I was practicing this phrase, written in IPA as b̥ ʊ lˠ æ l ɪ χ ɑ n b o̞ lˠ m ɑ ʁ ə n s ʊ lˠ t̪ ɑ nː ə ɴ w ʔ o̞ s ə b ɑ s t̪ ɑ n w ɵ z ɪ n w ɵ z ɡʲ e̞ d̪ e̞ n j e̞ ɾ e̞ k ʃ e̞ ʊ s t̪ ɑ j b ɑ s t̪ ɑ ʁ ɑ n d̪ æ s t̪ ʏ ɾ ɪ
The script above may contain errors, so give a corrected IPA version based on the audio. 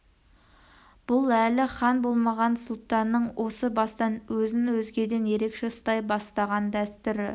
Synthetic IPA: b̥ ʊ lˠ æ l ɪ χ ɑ n b o̞ lˠ m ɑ ʁ ɑ n s ʊ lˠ t̪ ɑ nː ə ɴ w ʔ o̞ s ə b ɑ s t̪ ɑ n w ɵ z ɪ n w ɵ z ɡʲ e̞ d̪ e̞ n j e̞ ɾ e̞ k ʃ e̞ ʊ s t̪ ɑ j b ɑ s t̪ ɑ ʁ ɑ n d̪ æ s t̪ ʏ ɾ ɪ